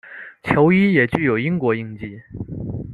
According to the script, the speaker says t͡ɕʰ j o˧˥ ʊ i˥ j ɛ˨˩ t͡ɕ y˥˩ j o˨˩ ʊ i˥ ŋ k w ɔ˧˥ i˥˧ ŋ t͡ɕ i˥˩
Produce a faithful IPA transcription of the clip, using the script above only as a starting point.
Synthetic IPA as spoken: t͡ɕʰ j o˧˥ ʊ i˥ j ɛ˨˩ t͡ɕ y˥˩ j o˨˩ ʊ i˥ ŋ k w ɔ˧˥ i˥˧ ŋ t͡ɕ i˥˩